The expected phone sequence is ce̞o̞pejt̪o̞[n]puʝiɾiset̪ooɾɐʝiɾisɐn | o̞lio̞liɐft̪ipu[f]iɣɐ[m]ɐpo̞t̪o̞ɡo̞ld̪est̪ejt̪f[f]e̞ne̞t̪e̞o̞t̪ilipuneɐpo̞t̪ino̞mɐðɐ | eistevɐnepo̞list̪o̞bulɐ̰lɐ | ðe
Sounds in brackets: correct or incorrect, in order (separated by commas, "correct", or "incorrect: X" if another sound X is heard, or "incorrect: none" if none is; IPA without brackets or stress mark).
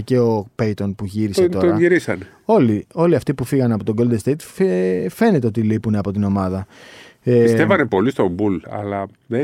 correct, correct, incorrect: n, correct